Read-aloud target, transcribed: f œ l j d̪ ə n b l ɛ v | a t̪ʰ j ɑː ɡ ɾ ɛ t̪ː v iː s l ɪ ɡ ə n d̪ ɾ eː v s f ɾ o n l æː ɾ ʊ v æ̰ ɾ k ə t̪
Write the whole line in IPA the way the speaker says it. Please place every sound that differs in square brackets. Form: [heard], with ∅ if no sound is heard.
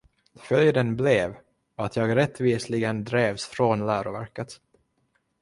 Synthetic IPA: f œ l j d̪ ə n b l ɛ v | a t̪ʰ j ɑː ɡ ɾ ɛ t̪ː v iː s l ɪ ɡ ə n d̪ ɾ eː v s f ɾ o n l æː ɾ ʊ v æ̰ ɾ k ə t̪